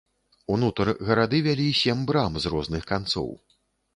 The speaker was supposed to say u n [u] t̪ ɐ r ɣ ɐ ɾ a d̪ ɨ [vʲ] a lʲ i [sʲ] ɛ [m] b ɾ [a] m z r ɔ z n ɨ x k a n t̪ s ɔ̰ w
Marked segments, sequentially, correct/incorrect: correct, correct, correct, correct, correct

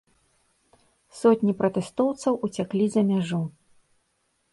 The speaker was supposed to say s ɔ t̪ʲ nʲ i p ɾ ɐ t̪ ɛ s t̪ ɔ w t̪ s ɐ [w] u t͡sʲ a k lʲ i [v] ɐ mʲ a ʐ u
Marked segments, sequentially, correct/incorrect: correct, incorrect: z

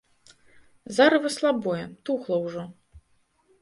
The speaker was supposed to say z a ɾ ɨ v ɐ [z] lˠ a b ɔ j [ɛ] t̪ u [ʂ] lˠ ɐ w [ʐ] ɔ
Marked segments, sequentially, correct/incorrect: incorrect: s, correct, incorrect: x, correct

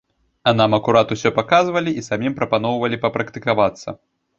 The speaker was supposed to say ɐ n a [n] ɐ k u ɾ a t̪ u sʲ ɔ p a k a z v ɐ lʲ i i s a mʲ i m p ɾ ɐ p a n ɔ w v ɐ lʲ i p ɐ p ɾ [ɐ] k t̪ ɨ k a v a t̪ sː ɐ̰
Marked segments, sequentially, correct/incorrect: incorrect: m, correct

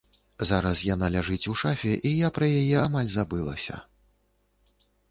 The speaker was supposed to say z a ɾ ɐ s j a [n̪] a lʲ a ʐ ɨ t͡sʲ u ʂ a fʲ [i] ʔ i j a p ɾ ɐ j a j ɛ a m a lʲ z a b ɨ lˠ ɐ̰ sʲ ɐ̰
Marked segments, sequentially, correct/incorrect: correct, incorrect: ɛ

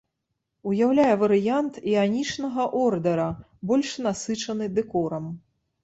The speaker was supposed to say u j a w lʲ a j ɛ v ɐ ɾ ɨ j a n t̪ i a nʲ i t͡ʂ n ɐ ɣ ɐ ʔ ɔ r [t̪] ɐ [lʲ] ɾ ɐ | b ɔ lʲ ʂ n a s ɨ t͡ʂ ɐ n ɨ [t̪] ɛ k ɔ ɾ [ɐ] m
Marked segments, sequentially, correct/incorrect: incorrect: d̪, incorrect: none, incorrect: d̪, correct

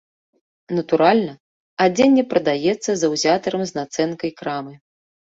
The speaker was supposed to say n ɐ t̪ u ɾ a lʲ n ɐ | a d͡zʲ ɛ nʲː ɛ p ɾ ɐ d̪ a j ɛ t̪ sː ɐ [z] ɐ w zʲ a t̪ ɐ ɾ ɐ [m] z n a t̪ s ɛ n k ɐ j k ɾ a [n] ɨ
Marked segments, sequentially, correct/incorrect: correct, correct, incorrect: m

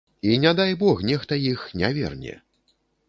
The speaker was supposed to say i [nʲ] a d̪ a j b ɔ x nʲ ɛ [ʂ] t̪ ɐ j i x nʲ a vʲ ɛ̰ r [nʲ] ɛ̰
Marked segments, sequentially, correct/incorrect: correct, incorrect: x, correct

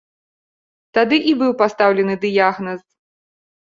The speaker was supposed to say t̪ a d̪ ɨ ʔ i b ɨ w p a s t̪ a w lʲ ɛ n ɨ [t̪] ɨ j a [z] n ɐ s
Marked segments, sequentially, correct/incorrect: incorrect: d̪, incorrect: ɣ

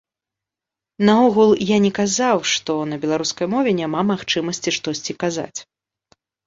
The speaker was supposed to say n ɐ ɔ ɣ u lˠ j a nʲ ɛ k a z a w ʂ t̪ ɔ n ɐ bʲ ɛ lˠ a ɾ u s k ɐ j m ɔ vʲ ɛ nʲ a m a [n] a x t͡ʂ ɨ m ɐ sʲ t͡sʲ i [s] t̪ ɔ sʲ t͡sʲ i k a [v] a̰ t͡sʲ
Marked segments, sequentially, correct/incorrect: incorrect: m, incorrect: ʂ, incorrect: z

